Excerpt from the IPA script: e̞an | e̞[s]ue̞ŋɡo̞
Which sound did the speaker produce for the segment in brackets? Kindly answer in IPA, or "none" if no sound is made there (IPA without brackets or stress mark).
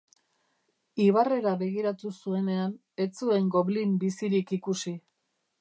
t͡s